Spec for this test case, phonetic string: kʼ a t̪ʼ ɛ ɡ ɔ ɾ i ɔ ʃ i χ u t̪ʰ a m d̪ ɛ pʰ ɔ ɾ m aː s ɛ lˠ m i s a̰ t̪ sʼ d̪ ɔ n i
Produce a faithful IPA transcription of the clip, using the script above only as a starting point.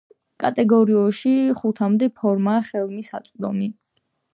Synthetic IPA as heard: kʼ a t̪ʼ ɛ ɡ ɔ ɾ i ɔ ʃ i χ u t̪ʰ a m d̪ ɛ pʰ ɔ ɾ m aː χ ɛ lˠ m i s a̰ t̪ sʼ d̪ ɔ m i